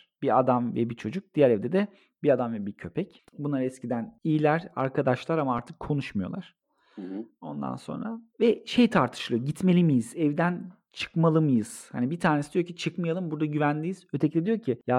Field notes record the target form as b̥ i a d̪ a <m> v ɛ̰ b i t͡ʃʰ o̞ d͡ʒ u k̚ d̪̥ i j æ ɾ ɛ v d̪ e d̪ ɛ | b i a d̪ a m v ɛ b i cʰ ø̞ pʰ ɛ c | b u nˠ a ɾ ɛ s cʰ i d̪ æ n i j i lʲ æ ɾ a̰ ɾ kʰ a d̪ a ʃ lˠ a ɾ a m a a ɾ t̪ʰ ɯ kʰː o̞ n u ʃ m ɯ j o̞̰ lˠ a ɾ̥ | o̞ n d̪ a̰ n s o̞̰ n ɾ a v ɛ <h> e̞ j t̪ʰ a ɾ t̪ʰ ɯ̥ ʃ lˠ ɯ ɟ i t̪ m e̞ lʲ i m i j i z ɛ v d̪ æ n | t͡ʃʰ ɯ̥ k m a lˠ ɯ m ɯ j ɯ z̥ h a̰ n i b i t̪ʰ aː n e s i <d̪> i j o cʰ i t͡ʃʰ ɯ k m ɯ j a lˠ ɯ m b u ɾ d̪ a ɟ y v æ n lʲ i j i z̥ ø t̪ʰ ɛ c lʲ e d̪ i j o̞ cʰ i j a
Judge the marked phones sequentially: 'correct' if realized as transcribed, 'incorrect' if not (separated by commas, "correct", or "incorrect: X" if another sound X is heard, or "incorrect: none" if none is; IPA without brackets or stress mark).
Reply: correct, incorrect: ʃ, correct